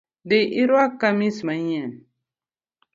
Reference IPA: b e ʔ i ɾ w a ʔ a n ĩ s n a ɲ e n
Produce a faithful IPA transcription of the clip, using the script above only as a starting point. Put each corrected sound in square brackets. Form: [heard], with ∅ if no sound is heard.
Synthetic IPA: [d] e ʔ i ɾ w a [k] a [m] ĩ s [m] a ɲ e n